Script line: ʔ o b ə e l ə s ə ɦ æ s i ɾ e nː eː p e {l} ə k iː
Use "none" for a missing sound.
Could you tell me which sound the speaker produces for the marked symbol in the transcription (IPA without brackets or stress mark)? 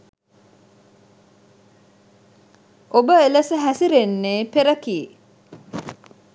ɾ